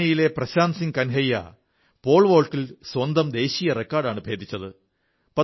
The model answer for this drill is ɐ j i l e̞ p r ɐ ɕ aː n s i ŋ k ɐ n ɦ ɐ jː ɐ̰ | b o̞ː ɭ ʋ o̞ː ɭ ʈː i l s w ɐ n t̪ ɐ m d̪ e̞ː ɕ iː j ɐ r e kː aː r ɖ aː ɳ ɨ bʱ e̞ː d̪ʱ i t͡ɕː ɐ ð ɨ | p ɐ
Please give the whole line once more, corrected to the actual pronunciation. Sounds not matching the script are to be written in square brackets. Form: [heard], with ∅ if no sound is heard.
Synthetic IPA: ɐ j i l e̞ p r ɐ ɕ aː n s i ŋ k ɐ n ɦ ɐ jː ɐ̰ | [p] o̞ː ɭ ʋ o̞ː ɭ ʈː i l s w ɐ n [d̪] ɐ m d̪ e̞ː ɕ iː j ɐ r e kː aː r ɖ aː ɳ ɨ bʱ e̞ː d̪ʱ i t͡ɕː ɐ ð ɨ | p ɐ